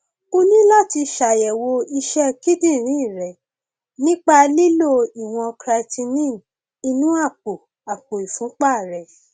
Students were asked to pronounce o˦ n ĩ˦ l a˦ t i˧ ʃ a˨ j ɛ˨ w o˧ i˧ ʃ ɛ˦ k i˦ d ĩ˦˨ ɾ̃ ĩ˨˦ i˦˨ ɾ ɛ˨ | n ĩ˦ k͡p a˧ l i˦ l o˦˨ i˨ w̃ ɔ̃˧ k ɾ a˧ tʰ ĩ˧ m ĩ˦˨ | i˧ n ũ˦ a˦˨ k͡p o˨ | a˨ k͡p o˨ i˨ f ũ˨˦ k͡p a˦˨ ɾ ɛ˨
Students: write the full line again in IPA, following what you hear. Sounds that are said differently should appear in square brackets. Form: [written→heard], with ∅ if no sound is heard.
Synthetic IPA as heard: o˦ n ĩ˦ l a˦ t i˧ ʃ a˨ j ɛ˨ w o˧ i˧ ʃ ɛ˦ k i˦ d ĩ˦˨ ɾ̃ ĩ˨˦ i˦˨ ɾ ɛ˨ | n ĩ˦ k͡p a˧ l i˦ l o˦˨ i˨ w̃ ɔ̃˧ k ɾ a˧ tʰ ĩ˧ [m→n] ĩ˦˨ | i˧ n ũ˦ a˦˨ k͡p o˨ | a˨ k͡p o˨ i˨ f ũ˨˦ k͡p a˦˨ ɾ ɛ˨

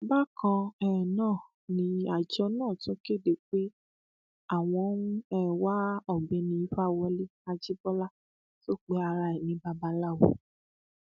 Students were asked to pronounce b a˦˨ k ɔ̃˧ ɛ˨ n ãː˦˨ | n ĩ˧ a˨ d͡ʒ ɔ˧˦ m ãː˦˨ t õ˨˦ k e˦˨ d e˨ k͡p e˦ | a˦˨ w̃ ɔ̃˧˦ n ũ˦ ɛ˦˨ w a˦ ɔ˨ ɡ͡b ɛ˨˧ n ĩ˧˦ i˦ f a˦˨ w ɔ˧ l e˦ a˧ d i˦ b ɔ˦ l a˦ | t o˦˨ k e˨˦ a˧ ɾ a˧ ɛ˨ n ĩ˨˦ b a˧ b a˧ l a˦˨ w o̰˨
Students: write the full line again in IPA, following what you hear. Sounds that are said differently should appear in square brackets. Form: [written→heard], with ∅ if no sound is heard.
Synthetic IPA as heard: b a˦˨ k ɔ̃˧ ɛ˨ n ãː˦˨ | n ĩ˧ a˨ d͡ʒ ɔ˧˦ [m→n] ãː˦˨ t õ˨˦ k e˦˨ d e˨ k͡p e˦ | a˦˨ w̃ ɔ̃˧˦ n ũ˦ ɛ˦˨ w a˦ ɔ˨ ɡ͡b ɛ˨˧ n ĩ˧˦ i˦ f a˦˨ w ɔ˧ l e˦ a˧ [d→d͡ʒ] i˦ b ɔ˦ l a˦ | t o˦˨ [k→k͡p] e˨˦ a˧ ɾ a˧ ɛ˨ n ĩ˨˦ b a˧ b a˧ l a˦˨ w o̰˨

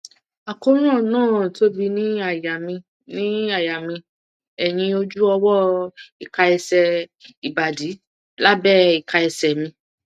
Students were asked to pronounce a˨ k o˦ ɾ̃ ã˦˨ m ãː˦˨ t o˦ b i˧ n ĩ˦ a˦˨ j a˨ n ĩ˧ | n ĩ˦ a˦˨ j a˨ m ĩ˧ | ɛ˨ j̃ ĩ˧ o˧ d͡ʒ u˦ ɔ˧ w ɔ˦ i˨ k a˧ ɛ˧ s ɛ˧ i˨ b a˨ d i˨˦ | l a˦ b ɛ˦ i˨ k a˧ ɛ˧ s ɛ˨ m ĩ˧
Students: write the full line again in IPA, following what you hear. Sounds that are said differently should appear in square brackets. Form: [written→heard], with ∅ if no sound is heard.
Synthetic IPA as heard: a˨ k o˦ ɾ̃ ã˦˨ [m→n] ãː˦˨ t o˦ b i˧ n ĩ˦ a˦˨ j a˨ [n→m] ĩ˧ | n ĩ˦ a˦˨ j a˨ m ĩ˧ | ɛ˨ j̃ ĩ˧ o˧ d͡ʒ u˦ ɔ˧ w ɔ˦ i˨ k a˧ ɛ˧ s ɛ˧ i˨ b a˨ d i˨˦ | l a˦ b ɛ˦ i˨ k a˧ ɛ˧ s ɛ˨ m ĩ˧

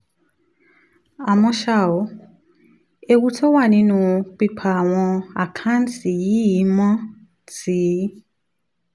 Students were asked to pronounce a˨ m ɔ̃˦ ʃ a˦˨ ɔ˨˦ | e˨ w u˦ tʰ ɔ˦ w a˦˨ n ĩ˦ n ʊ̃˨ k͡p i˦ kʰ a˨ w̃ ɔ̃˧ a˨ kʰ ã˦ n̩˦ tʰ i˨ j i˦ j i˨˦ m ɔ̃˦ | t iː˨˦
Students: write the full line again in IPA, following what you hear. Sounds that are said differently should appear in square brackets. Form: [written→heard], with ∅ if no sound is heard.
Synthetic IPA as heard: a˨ m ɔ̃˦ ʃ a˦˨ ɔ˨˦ | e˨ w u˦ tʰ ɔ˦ w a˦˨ n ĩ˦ n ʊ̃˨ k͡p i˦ [kʰ→pʰ] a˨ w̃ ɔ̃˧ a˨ kʰ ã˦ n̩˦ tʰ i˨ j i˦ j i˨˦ m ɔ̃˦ | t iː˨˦

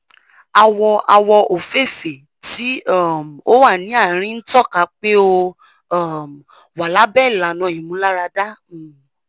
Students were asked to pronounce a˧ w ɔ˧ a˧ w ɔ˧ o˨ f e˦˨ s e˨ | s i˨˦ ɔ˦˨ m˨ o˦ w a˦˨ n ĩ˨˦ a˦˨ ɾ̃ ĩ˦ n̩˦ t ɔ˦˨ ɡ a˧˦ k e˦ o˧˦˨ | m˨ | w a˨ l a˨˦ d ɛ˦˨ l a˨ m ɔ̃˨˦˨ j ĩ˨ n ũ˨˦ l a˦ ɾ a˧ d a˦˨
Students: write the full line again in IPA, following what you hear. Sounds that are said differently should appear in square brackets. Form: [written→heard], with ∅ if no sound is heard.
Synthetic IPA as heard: a˧ w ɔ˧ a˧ w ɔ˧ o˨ f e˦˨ [s→f] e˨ | [s→t] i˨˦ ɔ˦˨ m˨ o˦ w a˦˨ n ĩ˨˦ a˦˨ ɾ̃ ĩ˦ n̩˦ t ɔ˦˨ [ɡ→k] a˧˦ [k→k͡p] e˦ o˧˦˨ | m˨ | w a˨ l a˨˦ [d→b] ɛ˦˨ l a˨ [m→n] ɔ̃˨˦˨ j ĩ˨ [n→m] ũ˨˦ l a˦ ɾ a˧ d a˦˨

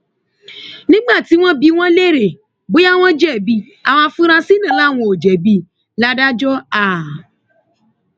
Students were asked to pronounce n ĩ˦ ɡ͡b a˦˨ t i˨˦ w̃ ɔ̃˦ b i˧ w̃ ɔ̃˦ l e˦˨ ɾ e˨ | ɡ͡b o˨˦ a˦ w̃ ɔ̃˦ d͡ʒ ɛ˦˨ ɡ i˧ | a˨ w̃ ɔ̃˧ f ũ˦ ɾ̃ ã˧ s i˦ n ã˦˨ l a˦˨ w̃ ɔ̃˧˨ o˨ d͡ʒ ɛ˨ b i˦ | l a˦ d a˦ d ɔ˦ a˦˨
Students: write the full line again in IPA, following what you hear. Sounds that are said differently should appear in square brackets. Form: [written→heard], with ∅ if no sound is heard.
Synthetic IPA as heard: n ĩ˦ ɡ͡b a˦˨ t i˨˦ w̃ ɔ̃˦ b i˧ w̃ ɔ̃˦ l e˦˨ ɾ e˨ | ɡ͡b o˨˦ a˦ w̃ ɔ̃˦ d͡ʒ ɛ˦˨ [ɡ→b] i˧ | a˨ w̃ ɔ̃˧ f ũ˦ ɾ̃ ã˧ s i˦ n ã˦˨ l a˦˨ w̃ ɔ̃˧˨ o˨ d͡ʒ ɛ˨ b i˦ | l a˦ d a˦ [d→d͡ʒ] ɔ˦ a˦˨

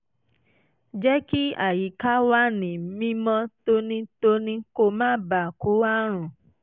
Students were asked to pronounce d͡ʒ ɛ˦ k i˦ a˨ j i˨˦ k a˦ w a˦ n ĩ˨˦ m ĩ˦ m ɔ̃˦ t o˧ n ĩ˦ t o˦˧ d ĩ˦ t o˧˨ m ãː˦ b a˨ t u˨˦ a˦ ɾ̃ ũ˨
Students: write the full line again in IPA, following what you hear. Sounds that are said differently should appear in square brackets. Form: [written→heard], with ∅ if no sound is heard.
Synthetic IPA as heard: d͡ʒ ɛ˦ k i˦ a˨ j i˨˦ k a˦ w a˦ n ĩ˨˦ m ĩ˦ m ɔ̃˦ t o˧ n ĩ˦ t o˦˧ [d→n] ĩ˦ [t→k] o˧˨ m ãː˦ b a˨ [t→k] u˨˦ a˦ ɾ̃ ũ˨

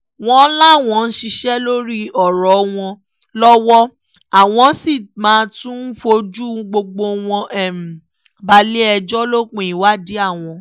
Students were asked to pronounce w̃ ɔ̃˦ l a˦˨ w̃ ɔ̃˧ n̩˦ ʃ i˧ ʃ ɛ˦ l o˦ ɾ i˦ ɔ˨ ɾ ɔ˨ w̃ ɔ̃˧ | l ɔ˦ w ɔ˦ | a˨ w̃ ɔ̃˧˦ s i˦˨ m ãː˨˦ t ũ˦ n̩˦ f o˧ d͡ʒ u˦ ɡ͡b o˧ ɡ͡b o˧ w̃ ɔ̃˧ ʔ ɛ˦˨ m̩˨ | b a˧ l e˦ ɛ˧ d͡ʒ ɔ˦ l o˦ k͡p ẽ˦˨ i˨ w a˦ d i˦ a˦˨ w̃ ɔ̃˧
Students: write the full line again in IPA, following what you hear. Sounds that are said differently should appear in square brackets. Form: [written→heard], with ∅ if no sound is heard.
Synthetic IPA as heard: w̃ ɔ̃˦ l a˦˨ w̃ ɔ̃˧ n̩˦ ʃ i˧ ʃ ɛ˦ l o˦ ɾ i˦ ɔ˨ ɾ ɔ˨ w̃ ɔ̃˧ | l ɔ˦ w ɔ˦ | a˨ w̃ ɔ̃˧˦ s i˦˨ m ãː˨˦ t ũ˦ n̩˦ f o˧ d͡ʒ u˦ ɡ͡b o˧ ɡ͡b o˧ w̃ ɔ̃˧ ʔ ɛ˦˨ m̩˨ | b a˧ l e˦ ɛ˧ d͡ʒ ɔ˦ l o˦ k͡p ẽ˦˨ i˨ w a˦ d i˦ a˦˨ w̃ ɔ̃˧

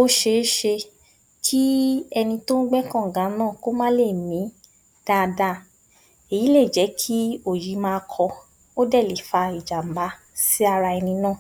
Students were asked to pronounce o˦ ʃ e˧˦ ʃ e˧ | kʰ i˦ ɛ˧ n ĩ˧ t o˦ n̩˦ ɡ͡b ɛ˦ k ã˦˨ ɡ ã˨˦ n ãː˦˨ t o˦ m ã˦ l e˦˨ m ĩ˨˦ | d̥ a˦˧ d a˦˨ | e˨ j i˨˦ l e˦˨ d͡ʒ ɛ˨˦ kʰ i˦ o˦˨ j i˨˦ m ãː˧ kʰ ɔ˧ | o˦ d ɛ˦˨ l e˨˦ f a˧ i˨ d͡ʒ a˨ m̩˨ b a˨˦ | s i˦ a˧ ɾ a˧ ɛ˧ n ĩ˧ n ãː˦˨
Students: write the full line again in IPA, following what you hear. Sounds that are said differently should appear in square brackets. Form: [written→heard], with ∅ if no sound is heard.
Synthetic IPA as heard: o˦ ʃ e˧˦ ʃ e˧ | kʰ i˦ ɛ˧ n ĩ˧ t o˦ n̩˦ ɡ͡b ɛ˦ k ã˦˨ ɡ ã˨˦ n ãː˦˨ [t→k] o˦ m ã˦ l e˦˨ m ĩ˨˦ | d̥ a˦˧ d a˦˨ | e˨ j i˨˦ l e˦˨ d͡ʒ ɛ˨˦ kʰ i˦ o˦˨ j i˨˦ m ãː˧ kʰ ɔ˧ | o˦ d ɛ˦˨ l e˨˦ f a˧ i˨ d͡ʒ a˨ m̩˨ b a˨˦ | s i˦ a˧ ɾ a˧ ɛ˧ n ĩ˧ n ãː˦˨

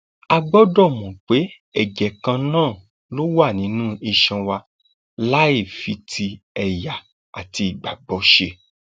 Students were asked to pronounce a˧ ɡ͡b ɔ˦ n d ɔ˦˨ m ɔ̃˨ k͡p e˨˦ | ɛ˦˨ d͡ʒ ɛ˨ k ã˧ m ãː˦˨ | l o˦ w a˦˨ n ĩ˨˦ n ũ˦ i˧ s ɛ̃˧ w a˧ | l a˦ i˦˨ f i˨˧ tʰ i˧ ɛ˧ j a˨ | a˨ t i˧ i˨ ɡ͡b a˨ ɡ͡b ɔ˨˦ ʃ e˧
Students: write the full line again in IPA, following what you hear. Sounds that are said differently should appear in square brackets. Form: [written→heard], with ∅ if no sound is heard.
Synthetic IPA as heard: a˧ ɡ͡b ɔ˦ [n→∅] d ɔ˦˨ m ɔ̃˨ k͡p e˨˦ | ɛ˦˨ d͡ʒ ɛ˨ k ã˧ [m→n] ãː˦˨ | l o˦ w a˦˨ n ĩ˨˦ n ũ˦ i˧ [s→ʃ] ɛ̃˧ w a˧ | l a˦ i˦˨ f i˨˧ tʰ i˧ ɛ˧ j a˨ | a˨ t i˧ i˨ ɡ͡b a˨ ɡ͡b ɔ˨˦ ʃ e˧

